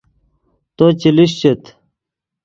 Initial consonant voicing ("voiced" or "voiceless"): voiceless